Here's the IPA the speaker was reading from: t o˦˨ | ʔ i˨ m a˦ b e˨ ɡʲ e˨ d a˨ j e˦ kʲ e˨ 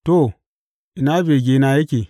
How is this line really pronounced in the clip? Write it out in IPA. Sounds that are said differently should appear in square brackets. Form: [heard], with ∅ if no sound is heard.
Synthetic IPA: t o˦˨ | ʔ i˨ [n] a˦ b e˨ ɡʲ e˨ [n] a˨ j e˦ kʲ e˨

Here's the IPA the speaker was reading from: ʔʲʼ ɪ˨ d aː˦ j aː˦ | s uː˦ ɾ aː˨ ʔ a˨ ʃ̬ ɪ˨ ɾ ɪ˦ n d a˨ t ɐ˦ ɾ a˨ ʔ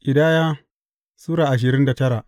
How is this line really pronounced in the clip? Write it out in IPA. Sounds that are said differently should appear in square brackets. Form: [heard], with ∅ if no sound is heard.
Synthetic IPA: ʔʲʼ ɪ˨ d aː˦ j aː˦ | s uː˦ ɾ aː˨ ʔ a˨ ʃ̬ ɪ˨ ɾ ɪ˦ n d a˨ t ɐ˦ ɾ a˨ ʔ

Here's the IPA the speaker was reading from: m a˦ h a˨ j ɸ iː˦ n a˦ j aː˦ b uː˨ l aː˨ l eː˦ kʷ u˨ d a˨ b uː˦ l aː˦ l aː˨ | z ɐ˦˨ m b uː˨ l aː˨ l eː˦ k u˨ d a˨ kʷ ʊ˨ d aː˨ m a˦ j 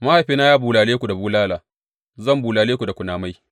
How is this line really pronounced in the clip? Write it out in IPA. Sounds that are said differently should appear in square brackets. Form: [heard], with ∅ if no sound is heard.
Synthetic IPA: m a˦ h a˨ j ɸ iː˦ n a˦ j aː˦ b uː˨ l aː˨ l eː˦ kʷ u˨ d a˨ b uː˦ l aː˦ l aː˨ | z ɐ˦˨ m b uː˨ l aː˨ l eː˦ k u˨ d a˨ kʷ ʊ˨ [n] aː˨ m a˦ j

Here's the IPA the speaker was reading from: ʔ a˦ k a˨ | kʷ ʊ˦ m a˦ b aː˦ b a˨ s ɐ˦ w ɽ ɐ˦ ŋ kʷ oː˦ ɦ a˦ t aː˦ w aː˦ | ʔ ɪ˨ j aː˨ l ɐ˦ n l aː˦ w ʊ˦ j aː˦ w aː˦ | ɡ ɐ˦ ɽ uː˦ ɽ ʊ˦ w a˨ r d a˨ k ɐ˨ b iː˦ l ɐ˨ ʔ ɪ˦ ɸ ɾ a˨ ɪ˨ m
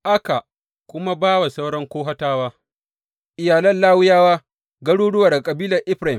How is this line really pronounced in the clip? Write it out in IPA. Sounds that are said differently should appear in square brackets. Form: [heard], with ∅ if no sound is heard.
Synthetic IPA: ʔ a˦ k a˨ | kʷ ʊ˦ m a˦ b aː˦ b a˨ s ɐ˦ w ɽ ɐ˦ ŋ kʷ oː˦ ɦ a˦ t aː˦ w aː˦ | ʔ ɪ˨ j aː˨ l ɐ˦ n l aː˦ w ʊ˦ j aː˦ w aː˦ | ɡ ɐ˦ ɽ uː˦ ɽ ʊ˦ w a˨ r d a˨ [kʼ] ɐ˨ b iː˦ l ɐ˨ ʔ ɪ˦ ɸ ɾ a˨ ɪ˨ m

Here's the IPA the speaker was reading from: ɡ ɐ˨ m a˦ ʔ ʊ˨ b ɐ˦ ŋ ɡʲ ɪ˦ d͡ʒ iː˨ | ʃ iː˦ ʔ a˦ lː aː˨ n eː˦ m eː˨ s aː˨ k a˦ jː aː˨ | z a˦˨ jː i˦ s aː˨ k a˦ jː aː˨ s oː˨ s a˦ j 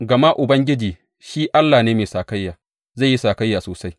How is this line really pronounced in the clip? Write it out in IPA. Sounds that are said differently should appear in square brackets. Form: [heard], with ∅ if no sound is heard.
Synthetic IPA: ɡ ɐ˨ m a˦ ʔ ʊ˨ b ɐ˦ ŋ ɡʲ ɪ˦ d͡ʒ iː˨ | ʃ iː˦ ʔ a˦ lː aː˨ n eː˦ m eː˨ s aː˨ k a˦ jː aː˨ | z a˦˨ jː i˦ s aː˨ k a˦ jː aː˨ s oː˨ s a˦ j

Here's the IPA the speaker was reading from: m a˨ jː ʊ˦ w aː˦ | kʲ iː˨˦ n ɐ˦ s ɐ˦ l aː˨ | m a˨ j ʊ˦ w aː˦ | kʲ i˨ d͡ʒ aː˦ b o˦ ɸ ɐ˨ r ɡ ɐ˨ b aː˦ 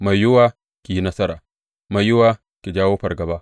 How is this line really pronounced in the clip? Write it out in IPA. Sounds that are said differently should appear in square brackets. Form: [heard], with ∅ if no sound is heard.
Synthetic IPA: m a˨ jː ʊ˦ w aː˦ | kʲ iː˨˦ n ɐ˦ s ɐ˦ [ɾ] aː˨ | m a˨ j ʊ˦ w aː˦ | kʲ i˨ d͡ʒ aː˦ [w] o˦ ɸ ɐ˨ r ɡ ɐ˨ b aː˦

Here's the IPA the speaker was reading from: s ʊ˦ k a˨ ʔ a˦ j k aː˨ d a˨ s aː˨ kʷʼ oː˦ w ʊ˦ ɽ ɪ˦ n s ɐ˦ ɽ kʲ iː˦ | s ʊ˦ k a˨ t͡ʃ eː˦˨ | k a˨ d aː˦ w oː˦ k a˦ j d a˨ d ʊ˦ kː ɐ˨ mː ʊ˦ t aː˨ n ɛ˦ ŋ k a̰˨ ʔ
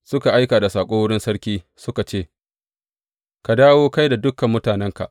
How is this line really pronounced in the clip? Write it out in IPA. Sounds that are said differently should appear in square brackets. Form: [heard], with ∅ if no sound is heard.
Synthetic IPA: s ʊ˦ k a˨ ʔ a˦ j k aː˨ d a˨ s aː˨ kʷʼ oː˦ w ʊ˦ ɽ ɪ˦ n s ɐ˦ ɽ kʲ iː˦ | s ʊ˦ k a˨ t͡ʃ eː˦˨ | k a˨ d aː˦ w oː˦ k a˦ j d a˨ d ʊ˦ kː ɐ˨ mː ʊ˦ t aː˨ n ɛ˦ ŋ k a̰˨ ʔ

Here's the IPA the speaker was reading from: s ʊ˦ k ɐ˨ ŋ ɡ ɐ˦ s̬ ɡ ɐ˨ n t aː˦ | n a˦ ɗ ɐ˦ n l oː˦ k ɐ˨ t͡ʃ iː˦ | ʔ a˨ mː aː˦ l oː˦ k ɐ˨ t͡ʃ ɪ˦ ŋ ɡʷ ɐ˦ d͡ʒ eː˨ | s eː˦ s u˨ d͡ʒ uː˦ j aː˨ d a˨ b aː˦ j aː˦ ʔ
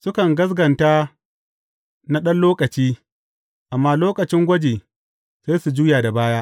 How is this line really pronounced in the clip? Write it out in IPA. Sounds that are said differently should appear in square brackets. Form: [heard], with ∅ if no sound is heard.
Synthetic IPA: s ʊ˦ k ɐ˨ ŋ ɡ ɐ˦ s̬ ɡ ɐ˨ n t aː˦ | n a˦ ɗ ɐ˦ n l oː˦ k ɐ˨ t͡ʃ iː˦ | ʔ a˨ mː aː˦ l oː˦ k ɐ˨ t͡ʃ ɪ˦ ŋ ɡʷ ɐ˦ d͡ʒ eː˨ | s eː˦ s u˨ d͡ʒ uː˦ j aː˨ d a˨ b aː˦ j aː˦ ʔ

